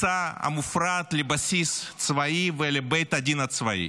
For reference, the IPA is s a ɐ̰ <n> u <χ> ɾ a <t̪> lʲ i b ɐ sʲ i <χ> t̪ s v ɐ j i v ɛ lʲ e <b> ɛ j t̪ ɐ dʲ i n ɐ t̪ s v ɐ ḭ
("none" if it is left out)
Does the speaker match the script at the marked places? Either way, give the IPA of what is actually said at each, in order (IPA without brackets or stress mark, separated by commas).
m, f, t̪, s, b